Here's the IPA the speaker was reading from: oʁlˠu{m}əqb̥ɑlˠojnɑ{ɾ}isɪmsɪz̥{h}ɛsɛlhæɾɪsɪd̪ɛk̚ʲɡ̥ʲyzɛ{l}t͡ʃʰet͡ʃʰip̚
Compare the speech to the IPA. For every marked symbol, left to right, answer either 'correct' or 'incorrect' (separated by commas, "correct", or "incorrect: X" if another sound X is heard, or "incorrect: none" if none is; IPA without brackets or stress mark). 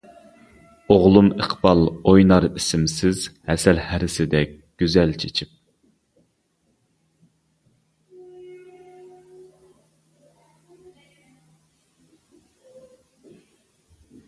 correct, correct, correct, correct